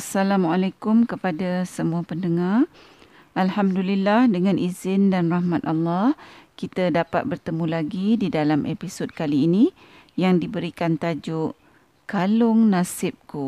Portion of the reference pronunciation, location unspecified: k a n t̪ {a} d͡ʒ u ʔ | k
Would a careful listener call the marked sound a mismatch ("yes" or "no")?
no